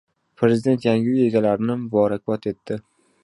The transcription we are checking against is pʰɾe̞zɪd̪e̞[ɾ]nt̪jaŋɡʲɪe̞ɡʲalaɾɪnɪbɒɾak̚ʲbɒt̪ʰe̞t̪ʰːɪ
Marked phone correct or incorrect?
incorrect